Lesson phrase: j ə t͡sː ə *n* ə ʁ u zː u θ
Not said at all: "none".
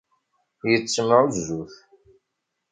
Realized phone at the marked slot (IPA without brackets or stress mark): m